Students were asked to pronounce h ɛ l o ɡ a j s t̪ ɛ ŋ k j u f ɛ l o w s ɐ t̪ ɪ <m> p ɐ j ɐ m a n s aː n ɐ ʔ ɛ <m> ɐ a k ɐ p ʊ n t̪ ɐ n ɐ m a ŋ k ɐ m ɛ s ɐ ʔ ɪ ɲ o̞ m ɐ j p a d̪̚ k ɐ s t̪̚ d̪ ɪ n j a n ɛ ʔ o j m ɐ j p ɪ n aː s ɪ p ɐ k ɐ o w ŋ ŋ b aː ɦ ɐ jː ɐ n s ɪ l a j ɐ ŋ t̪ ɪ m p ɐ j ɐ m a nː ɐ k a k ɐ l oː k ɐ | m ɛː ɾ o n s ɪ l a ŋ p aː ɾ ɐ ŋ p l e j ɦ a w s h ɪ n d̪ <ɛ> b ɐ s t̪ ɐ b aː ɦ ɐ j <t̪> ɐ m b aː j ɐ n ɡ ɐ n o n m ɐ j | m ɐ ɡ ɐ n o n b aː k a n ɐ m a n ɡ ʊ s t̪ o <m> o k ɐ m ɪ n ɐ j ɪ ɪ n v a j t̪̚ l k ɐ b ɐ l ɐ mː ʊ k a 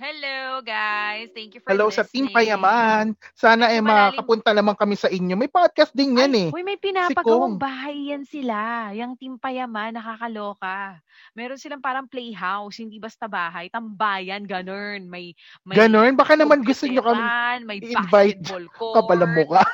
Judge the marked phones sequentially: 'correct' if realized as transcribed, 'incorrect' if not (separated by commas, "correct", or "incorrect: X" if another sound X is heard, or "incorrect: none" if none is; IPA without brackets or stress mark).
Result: correct, correct, incorrect: i, correct, incorrect: ɲ